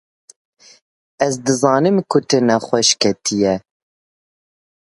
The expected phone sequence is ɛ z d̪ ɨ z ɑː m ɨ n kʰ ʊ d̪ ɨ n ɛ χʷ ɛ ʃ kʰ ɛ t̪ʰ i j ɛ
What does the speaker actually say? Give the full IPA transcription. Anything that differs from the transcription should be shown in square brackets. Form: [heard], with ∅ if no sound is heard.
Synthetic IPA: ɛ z d̪ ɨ z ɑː [n] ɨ [m] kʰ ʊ [t̪] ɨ n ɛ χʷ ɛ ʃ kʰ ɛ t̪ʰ i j ɛ